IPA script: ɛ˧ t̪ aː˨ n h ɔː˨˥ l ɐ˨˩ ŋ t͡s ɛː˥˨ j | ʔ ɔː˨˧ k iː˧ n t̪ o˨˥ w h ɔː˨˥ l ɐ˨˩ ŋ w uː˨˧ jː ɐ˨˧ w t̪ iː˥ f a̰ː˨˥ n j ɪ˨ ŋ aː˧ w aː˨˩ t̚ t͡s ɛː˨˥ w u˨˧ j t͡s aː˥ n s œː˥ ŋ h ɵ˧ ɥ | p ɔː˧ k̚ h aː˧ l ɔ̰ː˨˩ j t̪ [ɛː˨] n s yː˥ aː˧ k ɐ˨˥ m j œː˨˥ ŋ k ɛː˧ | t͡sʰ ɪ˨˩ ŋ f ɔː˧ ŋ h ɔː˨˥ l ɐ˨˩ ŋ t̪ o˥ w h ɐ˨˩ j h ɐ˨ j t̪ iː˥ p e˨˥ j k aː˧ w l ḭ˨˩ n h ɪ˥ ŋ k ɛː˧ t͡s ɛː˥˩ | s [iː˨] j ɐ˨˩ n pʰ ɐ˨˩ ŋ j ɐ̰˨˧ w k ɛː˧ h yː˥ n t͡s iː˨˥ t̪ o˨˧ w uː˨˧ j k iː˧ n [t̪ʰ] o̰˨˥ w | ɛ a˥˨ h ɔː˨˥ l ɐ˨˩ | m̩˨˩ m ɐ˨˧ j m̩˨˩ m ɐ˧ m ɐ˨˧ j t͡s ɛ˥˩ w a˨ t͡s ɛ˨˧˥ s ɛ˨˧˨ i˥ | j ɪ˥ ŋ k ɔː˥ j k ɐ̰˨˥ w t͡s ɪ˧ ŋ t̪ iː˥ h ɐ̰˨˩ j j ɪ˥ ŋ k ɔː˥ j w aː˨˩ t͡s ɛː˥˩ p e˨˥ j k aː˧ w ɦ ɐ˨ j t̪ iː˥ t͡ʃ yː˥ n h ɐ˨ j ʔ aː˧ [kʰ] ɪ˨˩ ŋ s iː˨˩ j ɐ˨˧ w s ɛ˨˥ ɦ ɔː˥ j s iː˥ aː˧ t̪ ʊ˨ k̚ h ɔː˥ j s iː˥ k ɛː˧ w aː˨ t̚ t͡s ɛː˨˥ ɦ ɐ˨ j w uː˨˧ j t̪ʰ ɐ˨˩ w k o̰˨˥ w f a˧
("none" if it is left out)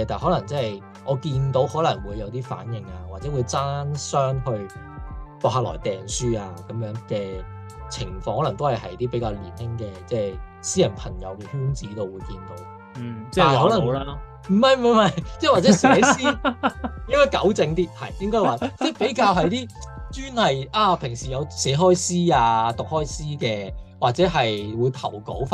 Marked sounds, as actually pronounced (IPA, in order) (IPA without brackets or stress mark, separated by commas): ɛː˨, iː˥, t̪, pʰ